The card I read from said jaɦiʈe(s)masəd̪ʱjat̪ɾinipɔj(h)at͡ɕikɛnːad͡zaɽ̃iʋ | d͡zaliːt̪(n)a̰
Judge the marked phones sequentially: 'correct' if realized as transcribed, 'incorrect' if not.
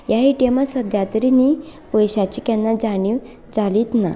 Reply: incorrect, incorrect, correct

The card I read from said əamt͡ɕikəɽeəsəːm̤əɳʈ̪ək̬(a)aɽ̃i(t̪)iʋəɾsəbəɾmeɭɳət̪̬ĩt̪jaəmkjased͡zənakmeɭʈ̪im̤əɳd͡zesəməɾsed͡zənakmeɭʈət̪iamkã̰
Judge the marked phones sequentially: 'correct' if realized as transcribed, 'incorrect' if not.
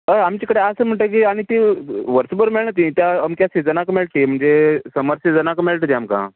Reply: incorrect, correct

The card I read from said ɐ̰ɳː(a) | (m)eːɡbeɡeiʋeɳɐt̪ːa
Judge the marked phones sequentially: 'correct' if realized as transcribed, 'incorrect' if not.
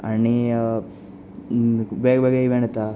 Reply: incorrect, incorrect

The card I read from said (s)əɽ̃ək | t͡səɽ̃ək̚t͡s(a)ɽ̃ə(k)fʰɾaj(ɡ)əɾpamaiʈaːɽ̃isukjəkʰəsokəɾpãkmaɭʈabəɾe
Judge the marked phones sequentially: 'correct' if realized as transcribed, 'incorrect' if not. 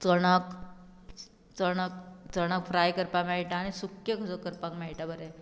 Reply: incorrect, incorrect, correct, incorrect

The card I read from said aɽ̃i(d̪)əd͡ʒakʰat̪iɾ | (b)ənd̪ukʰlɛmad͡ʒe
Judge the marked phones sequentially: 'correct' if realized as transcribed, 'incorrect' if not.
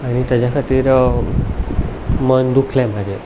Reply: incorrect, incorrect

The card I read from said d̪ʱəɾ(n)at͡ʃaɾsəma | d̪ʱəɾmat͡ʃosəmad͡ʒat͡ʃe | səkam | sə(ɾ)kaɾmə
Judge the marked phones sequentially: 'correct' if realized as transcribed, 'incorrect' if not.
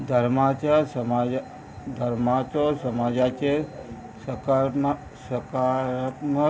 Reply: incorrect, incorrect

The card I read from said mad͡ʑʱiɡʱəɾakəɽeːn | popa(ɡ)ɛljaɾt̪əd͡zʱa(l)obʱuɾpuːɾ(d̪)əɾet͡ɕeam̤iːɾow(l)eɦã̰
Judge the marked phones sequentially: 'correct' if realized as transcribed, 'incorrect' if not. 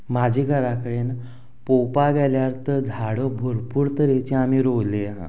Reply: correct, incorrect, incorrect, correct

